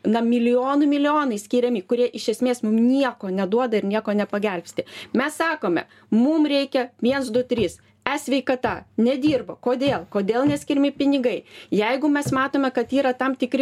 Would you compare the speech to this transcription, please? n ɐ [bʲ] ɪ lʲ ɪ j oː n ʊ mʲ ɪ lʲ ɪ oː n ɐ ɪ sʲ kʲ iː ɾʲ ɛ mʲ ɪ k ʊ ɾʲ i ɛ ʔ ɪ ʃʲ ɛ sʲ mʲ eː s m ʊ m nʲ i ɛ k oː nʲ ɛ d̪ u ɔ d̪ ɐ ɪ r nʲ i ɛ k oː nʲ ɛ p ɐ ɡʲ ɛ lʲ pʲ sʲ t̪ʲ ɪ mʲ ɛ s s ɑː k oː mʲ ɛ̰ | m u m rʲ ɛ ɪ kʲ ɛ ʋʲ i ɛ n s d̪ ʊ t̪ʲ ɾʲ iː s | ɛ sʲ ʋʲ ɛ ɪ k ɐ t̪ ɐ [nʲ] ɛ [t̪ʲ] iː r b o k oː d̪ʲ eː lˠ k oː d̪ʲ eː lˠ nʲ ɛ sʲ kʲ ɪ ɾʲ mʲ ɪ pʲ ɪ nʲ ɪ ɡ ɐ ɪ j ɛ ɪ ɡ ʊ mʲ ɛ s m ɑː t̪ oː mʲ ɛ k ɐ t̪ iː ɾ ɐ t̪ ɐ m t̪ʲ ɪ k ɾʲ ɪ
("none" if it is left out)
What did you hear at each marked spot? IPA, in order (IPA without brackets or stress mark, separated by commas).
mʲ, nʲ, d̪ʲ